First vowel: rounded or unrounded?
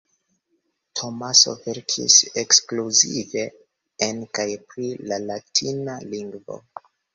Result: rounded